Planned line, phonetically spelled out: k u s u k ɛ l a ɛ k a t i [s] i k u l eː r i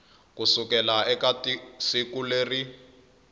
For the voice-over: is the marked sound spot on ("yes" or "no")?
yes